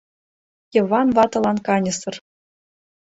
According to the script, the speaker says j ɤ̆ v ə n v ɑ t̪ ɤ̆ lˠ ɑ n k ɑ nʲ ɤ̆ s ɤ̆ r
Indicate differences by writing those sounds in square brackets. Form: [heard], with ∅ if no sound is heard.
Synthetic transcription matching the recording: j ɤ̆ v [ɑ] n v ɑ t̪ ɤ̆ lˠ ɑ n k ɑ nʲ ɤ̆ s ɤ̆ r

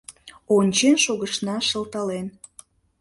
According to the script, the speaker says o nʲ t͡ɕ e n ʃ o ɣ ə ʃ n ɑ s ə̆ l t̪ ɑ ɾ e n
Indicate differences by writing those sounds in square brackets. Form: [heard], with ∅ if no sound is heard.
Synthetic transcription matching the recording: o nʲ t͡ɕ e n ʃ o ɣ ə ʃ n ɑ [ʃ] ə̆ l t̪ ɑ [l] e n

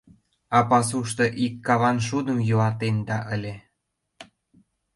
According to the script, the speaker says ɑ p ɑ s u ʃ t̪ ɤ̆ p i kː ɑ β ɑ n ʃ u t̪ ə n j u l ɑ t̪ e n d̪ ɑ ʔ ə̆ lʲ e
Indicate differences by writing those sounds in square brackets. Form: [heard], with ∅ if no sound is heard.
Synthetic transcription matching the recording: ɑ p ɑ s u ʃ t̪ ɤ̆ [ʔ] i kː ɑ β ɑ n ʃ u [d̪] ə [m] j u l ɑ t̪ e n d̪ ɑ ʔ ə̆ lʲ e

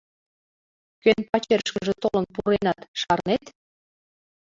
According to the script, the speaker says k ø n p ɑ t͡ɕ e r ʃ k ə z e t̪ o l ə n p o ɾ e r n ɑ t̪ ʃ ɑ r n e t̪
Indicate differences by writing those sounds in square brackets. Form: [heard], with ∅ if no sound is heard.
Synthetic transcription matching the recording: k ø n p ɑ t͡ɕ e r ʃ k ə [ʒ] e t̪ o l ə n p [u] ɾ e [∅] n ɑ t̪ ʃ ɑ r n e t̪

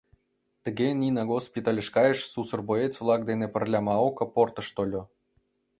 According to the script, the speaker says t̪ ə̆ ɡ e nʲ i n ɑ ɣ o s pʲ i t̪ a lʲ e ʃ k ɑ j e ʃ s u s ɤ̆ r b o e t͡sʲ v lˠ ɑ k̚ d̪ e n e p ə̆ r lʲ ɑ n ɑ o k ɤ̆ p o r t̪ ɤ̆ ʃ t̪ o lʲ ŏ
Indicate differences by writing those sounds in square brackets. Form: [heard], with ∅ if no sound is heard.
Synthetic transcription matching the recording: t̪ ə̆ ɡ e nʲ i n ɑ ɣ o s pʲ i t̪ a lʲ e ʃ k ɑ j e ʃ s u s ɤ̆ r b o e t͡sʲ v lˠ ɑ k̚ d̪ e n e p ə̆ r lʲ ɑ [m] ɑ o k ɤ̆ p o r t̪ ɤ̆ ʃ t̪ o lʲ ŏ

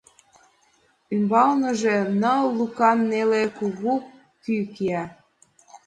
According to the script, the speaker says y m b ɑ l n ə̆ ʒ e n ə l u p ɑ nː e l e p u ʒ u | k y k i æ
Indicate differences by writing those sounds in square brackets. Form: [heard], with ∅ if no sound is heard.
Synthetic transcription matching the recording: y m b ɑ l n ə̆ ʒ e n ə l u [k] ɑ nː e l e [k] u [ɣ] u | k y k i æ

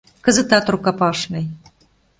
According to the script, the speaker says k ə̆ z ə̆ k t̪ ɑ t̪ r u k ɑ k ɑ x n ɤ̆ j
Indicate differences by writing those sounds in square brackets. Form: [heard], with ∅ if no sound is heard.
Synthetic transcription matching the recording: k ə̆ z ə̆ [∅] t̪ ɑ t̪ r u k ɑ [p] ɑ [ʃ] n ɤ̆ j

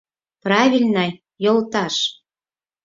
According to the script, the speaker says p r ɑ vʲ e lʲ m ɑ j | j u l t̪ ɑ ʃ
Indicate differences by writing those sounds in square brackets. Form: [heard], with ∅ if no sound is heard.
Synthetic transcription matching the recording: p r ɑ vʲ [i] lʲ [n] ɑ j | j [o] l t̪ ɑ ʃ

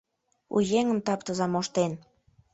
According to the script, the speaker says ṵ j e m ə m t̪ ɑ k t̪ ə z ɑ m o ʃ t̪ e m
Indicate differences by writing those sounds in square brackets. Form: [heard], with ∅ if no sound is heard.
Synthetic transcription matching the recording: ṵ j e [ŋ] ə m t̪ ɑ [p] t̪ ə z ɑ m o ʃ t̪ e [n]

